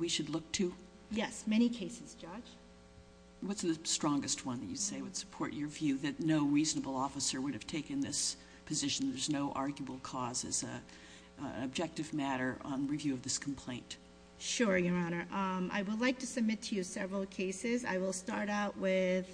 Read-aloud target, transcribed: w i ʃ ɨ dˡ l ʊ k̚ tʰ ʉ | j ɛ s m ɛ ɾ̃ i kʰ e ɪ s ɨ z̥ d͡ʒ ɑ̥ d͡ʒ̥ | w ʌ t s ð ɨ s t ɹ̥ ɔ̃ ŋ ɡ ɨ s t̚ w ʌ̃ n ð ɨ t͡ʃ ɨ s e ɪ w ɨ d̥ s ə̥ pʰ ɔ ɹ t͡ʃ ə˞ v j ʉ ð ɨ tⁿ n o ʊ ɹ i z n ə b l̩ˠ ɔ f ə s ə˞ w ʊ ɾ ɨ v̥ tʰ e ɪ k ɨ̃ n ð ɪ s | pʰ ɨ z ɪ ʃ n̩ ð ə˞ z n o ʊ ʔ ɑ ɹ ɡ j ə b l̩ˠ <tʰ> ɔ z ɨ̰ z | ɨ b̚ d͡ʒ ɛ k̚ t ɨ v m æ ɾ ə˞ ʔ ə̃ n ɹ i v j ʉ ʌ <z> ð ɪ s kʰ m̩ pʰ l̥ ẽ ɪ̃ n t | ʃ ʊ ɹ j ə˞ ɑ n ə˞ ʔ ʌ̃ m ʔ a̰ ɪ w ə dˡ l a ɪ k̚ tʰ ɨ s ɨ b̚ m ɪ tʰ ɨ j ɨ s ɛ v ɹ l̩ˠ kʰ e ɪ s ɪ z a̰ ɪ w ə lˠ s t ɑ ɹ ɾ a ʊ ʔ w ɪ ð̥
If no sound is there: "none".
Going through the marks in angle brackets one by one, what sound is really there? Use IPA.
kʰ, v

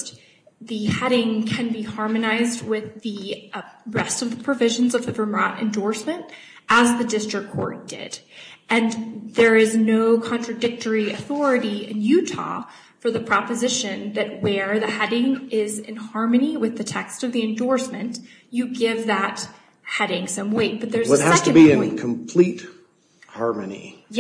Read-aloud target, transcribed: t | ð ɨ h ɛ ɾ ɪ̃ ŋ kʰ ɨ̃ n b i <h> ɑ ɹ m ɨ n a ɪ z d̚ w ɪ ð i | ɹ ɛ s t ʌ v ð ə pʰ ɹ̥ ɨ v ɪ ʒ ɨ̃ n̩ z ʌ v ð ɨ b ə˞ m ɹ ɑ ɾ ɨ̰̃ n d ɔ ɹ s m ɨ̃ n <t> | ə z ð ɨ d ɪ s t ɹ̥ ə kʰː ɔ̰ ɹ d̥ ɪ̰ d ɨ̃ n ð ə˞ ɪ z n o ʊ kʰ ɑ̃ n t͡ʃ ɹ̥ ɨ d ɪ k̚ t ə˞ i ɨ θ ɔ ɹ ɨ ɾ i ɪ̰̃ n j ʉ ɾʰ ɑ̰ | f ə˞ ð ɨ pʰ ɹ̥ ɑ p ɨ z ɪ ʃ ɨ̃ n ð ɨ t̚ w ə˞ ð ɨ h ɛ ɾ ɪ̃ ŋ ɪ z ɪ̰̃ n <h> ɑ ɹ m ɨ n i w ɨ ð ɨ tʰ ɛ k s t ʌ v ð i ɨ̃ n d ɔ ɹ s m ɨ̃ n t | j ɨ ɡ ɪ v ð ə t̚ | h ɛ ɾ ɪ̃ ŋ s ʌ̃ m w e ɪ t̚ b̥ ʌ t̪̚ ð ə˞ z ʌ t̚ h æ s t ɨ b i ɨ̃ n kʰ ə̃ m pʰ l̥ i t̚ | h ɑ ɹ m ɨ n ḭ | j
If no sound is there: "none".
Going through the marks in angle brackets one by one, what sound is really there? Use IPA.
h, t, h

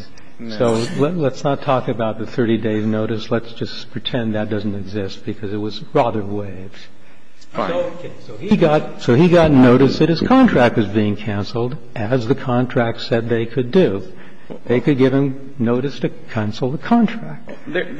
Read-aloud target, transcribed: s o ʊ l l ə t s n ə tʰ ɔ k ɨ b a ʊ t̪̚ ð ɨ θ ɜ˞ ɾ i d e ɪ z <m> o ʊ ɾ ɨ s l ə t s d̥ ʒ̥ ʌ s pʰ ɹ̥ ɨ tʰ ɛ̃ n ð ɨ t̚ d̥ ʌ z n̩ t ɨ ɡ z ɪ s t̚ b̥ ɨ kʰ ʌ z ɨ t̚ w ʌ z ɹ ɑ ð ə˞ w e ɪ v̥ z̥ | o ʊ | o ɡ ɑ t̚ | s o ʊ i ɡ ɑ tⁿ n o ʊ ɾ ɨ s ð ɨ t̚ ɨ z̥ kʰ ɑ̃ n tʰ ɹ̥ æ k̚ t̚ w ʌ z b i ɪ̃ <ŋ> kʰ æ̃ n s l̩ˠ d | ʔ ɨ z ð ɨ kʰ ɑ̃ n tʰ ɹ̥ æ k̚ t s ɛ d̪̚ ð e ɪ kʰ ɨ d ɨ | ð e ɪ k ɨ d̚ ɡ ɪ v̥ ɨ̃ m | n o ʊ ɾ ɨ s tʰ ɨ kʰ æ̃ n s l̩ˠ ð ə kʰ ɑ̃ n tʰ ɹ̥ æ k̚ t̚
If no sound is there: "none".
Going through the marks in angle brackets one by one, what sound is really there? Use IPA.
n, ŋ

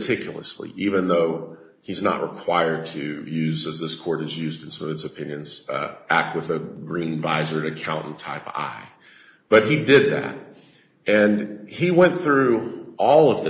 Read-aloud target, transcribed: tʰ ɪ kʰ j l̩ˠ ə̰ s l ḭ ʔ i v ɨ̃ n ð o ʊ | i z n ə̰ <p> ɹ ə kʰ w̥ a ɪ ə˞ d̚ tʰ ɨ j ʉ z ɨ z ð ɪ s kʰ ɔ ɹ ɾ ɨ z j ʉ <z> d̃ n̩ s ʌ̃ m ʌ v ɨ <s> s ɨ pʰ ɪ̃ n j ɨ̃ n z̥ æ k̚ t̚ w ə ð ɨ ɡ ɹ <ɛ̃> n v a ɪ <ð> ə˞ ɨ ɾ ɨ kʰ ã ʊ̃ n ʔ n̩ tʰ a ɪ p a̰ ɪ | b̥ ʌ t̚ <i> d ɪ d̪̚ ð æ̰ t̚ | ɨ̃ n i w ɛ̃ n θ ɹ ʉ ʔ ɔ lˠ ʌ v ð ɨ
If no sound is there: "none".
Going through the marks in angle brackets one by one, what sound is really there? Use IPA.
ʔ, z, t, ĩ, z, i

